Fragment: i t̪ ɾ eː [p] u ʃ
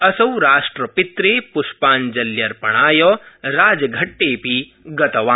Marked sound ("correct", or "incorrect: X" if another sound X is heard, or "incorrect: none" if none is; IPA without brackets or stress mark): correct